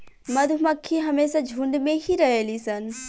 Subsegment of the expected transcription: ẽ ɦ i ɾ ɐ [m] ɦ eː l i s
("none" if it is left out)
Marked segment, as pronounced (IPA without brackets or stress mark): none